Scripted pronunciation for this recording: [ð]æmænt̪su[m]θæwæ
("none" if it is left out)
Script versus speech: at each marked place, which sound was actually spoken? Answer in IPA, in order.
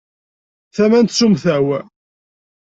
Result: θ, m

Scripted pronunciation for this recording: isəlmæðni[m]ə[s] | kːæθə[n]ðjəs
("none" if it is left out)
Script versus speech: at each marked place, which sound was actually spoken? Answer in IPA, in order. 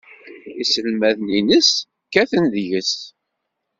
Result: n, s, n

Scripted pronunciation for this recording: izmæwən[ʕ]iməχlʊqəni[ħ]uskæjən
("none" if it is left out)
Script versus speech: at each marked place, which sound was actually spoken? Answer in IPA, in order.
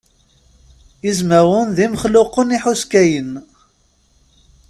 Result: ð, ħ

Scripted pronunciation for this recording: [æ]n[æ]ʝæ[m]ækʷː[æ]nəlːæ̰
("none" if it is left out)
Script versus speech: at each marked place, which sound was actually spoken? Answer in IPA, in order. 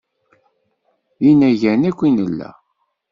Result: i, æ, n, i

